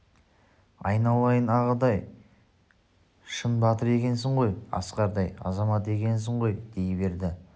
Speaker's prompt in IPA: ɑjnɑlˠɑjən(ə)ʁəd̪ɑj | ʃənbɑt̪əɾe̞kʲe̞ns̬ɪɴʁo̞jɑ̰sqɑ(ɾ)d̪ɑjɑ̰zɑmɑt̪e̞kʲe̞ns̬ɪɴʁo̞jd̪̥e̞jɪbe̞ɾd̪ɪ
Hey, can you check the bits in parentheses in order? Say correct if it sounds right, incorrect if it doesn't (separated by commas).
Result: incorrect, correct